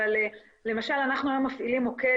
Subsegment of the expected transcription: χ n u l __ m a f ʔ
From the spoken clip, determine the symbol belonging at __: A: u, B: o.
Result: B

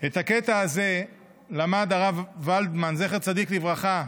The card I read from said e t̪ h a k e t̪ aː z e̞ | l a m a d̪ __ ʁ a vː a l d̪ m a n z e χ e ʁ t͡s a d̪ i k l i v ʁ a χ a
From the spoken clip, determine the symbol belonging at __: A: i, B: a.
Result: B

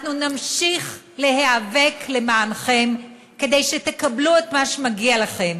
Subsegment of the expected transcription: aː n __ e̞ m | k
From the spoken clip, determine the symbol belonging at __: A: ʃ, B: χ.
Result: B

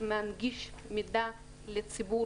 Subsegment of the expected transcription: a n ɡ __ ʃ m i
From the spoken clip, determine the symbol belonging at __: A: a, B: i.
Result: B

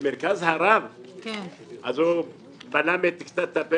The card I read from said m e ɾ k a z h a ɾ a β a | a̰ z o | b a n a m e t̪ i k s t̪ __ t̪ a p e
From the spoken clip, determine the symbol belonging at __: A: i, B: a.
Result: B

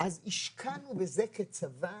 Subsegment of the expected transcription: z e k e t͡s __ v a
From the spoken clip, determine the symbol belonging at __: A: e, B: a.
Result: B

